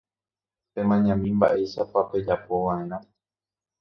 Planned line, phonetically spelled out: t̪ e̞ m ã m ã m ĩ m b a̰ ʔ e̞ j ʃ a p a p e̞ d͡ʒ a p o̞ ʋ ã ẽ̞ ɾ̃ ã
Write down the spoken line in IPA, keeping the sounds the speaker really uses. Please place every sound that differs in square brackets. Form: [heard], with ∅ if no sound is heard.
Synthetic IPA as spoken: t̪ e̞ m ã [ɲ] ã m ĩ m b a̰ ʔ e̞ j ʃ a p a p e̞ d͡ʒ a p o̞ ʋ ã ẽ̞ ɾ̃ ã